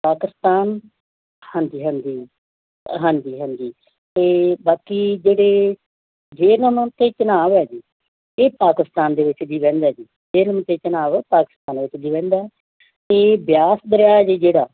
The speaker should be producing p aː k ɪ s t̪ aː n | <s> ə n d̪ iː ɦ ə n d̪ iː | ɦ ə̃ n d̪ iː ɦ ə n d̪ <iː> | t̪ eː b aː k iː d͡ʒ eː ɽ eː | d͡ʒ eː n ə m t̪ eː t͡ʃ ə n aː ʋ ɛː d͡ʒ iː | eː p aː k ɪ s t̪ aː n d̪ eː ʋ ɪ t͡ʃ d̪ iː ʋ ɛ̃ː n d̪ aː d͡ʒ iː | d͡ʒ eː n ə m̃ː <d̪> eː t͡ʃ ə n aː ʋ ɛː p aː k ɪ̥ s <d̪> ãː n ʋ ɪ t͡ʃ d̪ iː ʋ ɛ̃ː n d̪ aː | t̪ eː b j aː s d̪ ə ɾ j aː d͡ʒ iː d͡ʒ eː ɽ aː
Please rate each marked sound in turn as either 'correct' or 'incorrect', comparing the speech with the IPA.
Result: incorrect, correct, incorrect, incorrect

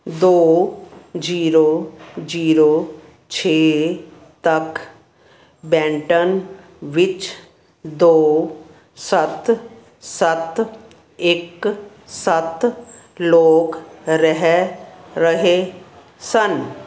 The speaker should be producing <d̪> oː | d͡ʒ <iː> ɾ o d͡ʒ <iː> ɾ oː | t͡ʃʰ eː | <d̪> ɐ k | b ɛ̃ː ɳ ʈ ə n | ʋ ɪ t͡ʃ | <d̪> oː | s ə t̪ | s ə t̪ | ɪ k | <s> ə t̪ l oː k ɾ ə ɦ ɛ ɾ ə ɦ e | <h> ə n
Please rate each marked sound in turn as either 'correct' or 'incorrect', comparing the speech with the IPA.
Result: correct, correct, correct, incorrect, correct, correct, incorrect

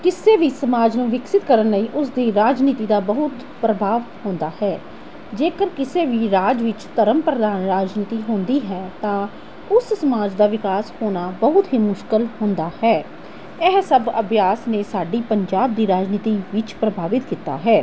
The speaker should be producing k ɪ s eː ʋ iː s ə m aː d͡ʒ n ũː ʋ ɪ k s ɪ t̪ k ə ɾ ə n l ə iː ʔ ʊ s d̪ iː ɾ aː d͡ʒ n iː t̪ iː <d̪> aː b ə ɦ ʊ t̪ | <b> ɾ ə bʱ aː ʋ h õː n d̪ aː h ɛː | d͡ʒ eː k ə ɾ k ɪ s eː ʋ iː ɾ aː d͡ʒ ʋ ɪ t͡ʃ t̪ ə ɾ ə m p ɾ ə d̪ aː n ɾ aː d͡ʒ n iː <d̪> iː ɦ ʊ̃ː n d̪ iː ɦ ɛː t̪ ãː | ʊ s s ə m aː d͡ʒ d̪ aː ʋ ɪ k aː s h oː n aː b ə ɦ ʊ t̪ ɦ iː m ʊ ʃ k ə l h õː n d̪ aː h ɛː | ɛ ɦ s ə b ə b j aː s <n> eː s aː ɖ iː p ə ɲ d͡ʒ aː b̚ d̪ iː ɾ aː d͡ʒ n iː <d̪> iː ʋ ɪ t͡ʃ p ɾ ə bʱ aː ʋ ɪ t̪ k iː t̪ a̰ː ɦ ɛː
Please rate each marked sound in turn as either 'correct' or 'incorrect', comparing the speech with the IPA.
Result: correct, incorrect, incorrect, correct, incorrect

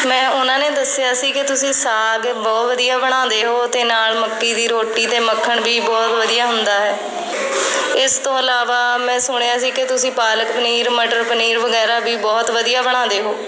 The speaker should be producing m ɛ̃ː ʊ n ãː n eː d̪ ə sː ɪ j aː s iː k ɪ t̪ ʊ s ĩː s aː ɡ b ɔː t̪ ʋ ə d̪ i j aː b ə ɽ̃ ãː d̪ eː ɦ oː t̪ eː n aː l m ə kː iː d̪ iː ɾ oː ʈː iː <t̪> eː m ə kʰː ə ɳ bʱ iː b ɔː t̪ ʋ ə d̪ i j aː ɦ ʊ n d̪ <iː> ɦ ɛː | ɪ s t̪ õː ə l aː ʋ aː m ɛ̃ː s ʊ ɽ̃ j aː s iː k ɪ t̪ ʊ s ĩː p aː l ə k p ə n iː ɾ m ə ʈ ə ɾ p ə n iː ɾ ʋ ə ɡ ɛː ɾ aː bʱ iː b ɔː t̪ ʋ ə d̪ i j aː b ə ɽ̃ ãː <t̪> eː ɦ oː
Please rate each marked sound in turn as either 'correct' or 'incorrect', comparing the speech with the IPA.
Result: correct, incorrect, incorrect

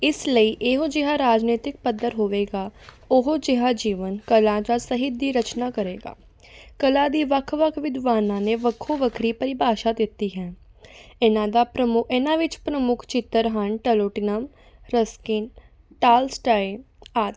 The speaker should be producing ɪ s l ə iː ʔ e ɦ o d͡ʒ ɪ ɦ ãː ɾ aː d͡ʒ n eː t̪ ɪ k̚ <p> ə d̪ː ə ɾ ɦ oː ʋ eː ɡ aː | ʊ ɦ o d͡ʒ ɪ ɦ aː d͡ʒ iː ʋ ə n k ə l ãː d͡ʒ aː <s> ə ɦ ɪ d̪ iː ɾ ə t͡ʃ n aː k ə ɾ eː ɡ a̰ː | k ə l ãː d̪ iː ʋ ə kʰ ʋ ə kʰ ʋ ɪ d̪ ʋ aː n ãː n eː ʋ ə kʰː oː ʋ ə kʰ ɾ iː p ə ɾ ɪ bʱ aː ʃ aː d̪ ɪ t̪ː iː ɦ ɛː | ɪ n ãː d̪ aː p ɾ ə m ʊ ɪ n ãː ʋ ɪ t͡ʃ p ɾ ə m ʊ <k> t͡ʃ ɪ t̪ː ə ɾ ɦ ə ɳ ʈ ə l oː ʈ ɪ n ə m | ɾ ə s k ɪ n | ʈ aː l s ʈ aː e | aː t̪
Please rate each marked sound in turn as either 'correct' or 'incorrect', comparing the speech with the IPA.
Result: correct, correct, incorrect

